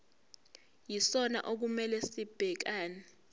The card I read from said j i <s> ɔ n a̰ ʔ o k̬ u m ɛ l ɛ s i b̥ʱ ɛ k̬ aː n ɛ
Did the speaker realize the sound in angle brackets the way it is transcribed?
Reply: yes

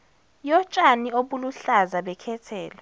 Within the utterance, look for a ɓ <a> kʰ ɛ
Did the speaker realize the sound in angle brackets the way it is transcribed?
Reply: no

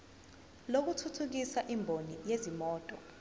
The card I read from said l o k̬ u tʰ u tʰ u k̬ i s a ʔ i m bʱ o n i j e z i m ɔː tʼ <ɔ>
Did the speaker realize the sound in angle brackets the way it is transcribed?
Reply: yes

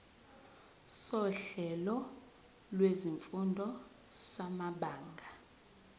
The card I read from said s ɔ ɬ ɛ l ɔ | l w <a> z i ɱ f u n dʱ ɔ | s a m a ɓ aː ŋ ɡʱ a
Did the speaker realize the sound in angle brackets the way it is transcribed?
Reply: no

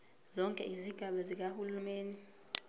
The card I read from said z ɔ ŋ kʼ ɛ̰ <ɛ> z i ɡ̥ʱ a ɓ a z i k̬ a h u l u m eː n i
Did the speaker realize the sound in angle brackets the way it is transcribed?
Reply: no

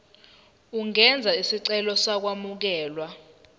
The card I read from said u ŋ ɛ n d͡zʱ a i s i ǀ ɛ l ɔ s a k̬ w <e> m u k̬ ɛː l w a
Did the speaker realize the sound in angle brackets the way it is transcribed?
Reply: no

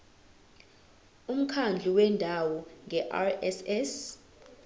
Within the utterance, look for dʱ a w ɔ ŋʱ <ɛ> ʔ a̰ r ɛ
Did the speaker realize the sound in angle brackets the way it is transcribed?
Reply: yes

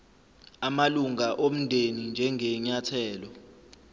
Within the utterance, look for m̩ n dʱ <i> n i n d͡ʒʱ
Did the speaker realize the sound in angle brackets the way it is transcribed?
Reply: no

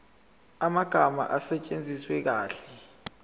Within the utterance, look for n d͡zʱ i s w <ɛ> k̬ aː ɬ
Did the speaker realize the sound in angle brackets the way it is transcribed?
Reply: yes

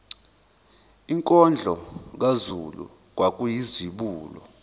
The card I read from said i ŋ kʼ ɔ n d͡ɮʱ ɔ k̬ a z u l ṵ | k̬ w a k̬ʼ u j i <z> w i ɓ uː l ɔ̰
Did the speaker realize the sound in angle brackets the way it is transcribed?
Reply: yes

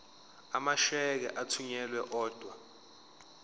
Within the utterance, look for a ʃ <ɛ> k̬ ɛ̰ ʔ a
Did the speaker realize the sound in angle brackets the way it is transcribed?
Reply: yes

